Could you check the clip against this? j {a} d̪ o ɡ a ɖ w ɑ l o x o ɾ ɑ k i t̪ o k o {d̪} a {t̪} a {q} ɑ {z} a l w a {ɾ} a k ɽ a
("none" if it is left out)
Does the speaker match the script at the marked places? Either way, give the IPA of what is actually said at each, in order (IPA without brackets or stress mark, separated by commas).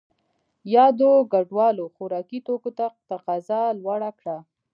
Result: ɑ, t̪, t̪, q, z, ɽ